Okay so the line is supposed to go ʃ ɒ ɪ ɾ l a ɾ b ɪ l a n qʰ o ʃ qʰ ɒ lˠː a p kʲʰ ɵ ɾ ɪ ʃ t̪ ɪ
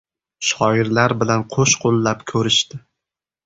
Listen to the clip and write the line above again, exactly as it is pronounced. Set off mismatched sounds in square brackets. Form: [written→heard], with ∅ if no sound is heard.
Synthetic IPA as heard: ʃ ɒ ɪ ɾ l a ɾ b ɪ l a n qʰ o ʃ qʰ [ɒ→o] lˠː a p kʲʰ ɵ ɾ ɪ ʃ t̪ ɪ